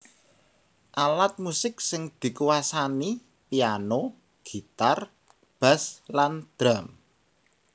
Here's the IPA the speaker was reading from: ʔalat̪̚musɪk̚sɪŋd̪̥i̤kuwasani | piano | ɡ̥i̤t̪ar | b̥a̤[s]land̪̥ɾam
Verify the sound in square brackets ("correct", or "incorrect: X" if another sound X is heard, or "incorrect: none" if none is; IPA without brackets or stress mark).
correct